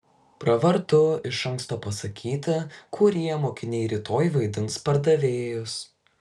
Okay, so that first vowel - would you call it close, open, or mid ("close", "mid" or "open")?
open